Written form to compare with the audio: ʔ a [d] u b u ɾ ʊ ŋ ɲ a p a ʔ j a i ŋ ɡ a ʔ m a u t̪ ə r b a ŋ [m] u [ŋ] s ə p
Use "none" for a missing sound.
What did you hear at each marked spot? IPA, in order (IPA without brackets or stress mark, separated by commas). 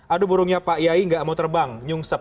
d, ɲ, ŋ